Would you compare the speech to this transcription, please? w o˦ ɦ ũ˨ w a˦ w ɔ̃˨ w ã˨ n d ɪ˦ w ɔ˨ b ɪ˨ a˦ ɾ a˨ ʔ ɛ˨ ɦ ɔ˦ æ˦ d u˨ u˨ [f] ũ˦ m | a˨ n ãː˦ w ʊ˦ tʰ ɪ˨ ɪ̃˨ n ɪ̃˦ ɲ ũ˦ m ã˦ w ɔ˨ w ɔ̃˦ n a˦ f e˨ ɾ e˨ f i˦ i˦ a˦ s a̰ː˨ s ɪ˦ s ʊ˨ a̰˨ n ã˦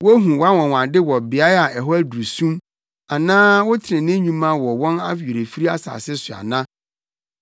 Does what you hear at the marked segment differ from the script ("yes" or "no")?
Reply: yes